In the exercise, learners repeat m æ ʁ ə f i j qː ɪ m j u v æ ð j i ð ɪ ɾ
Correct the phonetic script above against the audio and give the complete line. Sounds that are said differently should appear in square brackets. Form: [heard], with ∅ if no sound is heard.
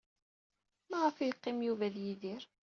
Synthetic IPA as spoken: m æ ʁ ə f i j qː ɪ m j u v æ ð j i ð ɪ ɾ